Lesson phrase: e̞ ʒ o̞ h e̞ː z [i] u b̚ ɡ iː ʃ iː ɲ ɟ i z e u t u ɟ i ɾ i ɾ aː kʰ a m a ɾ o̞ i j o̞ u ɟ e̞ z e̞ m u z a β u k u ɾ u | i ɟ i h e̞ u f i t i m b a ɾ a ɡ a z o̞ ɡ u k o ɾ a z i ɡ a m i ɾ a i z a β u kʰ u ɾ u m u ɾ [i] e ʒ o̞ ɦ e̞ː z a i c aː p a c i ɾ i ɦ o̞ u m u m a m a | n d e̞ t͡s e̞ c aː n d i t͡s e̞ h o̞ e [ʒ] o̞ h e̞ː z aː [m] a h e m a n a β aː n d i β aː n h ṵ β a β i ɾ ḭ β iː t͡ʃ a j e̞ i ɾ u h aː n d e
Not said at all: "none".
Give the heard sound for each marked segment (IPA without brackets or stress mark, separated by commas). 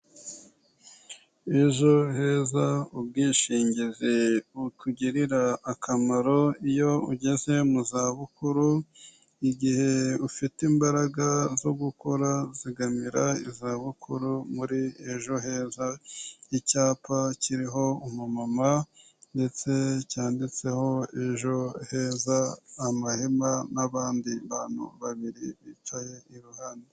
a, i, ʒ, m